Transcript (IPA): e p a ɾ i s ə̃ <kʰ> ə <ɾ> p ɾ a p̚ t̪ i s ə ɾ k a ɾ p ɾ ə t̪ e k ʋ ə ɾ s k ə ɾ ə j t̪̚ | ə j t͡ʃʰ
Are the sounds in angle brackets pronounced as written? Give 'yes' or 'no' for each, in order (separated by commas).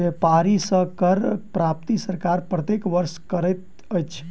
no, yes